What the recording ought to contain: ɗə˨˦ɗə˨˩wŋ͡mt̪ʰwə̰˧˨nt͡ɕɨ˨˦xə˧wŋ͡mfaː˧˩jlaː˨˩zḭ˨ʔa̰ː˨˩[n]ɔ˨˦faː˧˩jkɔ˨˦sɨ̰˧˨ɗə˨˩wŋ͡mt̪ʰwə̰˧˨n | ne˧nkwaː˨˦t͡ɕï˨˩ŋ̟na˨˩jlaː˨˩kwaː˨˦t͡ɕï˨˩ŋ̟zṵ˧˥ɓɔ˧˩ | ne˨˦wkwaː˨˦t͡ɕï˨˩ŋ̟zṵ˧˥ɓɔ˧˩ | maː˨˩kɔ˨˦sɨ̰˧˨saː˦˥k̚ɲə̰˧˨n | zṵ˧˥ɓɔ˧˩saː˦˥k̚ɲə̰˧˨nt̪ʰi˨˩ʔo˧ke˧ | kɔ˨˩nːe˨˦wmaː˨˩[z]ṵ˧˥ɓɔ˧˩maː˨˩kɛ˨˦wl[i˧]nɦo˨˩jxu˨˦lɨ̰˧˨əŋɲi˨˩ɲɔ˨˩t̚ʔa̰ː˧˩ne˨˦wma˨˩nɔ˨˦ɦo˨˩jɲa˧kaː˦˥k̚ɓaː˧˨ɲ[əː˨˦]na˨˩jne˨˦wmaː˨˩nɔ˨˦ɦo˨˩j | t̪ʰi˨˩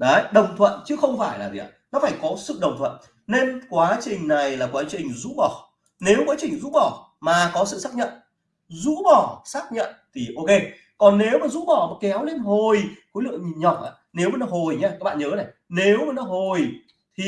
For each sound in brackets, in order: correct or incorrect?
correct, correct, incorrect: e˧, correct

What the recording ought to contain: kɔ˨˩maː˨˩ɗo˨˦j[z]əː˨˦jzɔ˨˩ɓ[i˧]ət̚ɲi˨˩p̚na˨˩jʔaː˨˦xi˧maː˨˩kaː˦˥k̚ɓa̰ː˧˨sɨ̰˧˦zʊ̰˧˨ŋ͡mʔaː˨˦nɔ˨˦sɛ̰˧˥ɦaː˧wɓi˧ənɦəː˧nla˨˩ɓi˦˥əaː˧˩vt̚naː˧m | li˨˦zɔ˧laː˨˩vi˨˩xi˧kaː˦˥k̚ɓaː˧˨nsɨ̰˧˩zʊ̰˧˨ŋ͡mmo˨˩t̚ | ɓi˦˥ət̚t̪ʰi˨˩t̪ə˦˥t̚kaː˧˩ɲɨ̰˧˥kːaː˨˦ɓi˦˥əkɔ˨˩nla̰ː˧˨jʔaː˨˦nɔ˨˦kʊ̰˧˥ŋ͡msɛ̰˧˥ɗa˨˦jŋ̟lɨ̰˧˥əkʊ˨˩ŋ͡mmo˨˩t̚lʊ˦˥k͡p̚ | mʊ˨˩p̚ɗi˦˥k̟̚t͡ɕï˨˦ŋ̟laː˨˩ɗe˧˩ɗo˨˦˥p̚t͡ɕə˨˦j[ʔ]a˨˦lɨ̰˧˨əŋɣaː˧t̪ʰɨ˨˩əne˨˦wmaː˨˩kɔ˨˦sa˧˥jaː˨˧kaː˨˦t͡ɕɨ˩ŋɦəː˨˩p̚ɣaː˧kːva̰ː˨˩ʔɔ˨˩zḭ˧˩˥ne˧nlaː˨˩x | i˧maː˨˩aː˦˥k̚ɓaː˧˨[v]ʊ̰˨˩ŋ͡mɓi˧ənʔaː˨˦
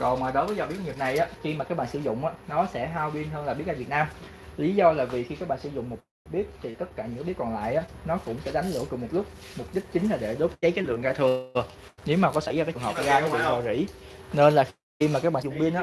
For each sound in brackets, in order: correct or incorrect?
incorrect: v, incorrect: i˦˥, incorrect: k, incorrect: z

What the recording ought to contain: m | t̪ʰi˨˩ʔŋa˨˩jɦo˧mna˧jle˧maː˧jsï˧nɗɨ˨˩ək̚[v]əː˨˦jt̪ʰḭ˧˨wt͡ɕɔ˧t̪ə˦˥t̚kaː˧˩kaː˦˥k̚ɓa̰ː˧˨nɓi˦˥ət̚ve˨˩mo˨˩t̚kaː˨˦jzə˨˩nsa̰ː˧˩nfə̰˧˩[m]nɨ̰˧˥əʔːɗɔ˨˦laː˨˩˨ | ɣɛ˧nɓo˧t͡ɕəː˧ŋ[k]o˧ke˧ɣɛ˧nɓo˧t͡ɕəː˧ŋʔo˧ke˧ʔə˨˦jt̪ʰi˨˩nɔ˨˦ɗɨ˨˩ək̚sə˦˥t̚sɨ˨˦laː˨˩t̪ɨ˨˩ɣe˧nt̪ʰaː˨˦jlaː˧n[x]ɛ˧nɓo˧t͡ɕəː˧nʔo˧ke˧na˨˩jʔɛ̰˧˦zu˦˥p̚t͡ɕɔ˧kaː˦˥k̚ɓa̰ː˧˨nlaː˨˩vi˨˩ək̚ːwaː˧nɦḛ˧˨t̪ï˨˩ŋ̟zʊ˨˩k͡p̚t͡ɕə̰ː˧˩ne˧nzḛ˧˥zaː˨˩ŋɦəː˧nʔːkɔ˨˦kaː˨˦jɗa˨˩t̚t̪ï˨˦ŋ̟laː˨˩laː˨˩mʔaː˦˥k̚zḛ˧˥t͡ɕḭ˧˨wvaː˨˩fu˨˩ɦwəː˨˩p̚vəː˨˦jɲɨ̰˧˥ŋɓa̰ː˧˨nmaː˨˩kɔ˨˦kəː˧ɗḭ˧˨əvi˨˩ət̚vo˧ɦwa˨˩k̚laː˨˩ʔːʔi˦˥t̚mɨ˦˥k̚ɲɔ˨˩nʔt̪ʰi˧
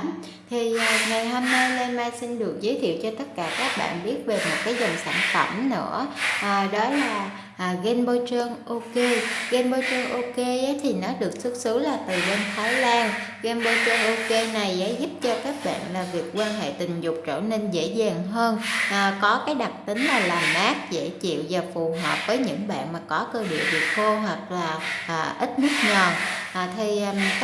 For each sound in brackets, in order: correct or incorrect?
incorrect: z, correct, incorrect: ʔ, incorrect: ɣ

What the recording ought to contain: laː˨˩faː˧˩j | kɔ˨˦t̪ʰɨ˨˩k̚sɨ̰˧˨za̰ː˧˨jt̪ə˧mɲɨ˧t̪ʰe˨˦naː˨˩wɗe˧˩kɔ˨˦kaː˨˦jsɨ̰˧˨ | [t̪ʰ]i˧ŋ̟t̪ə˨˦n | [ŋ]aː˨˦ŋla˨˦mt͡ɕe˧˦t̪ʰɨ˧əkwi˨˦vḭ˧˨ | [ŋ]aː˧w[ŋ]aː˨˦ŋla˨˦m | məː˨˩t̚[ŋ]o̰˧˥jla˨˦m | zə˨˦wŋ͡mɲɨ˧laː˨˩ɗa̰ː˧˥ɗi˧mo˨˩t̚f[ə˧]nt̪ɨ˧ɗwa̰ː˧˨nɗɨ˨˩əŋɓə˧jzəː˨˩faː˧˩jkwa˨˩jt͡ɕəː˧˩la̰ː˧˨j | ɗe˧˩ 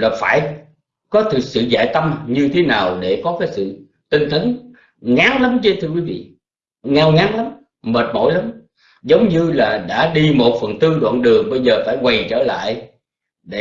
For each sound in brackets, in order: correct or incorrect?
incorrect: t̪, correct, correct, correct, incorrect: m, incorrect: ə˨˩

